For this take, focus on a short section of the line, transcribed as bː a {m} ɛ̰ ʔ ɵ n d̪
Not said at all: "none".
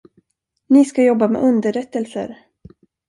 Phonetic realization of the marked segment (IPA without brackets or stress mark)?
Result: m